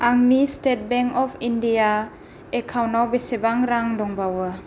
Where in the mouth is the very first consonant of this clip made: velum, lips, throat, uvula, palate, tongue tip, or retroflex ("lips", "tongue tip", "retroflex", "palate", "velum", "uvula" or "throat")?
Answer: velum